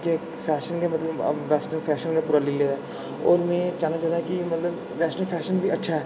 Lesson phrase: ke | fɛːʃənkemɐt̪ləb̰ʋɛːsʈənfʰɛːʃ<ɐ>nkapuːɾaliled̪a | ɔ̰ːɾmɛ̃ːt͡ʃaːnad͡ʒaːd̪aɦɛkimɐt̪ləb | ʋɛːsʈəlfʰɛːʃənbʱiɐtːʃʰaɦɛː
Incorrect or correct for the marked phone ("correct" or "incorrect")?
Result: incorrect